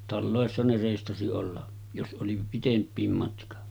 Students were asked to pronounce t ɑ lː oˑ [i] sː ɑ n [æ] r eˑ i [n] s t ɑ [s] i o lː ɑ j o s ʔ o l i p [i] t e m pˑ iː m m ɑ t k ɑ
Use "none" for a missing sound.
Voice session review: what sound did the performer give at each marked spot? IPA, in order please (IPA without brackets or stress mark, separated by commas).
e, e, none, s, i